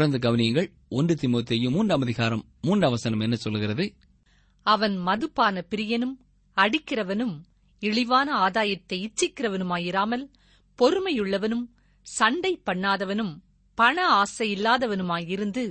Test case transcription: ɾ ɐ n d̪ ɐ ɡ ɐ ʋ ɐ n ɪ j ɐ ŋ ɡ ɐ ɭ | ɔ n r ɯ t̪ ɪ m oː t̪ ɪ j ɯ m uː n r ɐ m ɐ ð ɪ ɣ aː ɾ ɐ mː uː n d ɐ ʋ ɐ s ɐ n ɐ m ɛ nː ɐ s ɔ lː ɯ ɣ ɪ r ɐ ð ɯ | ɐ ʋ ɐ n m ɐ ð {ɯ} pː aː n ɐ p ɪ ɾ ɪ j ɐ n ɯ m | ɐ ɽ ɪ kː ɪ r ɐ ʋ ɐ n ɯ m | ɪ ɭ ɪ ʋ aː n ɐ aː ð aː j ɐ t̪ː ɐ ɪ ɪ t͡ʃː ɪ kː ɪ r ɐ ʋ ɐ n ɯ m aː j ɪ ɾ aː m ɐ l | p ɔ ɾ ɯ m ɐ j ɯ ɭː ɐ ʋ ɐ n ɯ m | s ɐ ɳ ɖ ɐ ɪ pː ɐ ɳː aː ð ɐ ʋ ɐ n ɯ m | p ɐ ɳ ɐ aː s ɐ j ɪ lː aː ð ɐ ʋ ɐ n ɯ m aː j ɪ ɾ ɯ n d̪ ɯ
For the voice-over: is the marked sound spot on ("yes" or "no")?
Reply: yes